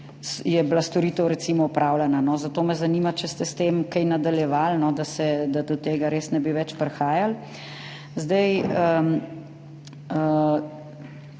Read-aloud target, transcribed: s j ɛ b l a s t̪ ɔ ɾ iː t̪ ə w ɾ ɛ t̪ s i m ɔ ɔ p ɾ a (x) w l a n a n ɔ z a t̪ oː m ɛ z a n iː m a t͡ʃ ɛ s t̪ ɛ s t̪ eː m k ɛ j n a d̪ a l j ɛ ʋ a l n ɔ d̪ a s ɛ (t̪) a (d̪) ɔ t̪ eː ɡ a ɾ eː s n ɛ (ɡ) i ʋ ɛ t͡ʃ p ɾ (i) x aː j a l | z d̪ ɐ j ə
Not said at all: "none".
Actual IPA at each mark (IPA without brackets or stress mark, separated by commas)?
none, d̪, d̪, b, ɛ